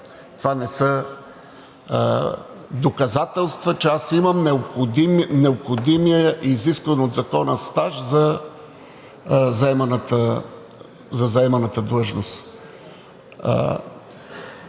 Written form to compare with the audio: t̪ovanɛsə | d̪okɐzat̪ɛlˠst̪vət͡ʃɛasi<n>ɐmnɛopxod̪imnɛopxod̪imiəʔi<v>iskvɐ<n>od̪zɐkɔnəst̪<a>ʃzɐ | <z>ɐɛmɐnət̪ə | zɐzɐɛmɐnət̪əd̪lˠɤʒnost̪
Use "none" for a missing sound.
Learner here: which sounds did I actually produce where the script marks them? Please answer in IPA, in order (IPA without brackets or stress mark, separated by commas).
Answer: m, z, n, a, z